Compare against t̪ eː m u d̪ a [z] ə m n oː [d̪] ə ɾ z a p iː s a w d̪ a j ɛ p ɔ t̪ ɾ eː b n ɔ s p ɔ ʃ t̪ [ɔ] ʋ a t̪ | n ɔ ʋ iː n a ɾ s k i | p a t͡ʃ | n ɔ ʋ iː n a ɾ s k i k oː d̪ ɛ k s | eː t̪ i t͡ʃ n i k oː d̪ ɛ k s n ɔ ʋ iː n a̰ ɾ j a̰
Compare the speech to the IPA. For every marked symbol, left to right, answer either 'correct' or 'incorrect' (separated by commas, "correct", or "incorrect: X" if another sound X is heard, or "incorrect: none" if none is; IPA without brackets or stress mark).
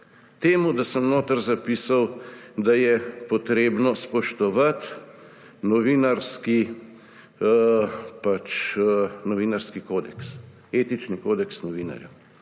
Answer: incorrect: s, incorrect: t̪, correct